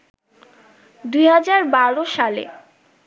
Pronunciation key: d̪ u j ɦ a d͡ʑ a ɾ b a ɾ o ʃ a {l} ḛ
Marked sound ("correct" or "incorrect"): correct